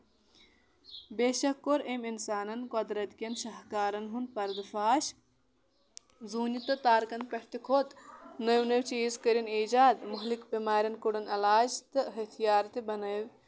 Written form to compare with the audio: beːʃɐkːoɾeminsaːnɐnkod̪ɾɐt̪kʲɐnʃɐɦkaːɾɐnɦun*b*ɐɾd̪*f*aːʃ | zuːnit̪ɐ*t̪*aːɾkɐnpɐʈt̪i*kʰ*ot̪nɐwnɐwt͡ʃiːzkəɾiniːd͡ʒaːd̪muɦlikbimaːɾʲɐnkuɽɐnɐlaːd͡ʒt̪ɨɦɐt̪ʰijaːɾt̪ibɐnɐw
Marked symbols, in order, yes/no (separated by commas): no, yes, yes, yes